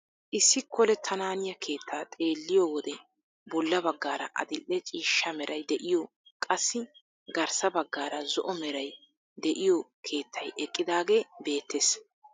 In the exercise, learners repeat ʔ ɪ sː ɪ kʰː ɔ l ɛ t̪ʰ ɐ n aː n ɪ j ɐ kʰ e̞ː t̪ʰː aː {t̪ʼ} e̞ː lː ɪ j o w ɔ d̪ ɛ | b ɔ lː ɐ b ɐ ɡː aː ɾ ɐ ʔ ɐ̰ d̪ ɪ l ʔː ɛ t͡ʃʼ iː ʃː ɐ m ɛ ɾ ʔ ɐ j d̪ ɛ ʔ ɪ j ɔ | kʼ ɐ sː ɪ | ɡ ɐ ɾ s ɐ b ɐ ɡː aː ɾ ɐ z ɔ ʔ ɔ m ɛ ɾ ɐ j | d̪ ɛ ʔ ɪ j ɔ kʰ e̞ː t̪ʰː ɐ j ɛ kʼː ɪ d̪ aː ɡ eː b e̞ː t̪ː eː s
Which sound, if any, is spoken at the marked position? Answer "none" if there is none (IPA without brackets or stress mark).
t̪ʼ